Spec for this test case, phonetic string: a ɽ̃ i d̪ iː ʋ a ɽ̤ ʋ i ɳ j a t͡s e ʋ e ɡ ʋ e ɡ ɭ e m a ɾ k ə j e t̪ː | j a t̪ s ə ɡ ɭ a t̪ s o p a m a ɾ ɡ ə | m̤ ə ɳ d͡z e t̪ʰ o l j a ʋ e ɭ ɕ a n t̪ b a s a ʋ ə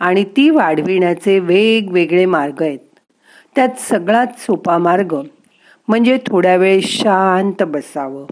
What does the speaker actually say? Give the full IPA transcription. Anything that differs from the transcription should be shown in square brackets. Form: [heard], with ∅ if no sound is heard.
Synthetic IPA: a ɽ̃ i [t̪] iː ʋ a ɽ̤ ʋ i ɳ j a t͡s e ʋ e ɡ ʋ e ɡ ɭ e m a ɾ [ɡ] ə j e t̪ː | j a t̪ s ə ɡ ɭ a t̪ s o p a m a ɾ ɡ ə | m̤ ə ɳ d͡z e t̪ʰ o [ɽ] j a ʋ e ɭ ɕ a n t̪ b [ə] s a ʋ ə